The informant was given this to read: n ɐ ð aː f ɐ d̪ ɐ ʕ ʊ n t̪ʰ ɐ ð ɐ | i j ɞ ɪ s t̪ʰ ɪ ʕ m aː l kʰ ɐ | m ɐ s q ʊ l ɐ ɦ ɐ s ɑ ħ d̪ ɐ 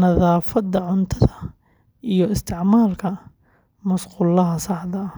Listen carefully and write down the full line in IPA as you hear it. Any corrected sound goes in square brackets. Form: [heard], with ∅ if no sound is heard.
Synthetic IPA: n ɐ ð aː f ɐ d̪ ɐ ʕ ʊ n t̪ʰ ɐ ð ɐ | i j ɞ ɪ s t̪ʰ ɪ ʕ m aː l kʰ ɐ | m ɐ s q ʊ l ɐ ɦ ɐ s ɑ ħ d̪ ɐ